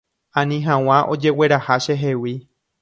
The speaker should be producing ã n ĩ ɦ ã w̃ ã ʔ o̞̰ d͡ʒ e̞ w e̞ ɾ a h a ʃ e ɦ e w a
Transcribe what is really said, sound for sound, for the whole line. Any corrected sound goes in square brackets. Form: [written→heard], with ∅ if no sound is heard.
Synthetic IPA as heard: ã n ĩ ɦ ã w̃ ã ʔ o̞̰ d͡ʒ e̞ w e̞ ɾ a h a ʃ e ɦ e w [a→i]